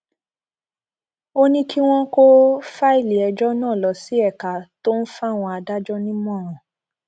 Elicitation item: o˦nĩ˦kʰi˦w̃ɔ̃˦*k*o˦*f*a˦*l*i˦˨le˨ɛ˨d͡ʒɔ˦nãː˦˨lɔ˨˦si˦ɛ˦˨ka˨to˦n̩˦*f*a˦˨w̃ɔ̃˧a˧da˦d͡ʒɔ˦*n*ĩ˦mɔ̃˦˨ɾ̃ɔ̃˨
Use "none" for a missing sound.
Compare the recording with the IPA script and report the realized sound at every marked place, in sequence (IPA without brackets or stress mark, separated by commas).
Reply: k, f, none, f, n